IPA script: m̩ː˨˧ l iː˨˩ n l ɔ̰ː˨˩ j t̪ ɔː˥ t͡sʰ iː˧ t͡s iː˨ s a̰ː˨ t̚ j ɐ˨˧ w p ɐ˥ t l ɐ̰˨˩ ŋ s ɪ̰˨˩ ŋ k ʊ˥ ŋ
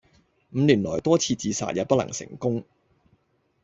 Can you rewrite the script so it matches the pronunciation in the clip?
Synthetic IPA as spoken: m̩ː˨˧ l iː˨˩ n l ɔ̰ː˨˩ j t̪ ɔː˥ t͡sʰ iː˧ t͡s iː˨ s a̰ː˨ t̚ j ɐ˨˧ w p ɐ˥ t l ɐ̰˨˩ ŋ s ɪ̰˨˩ ŋ k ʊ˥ ŋ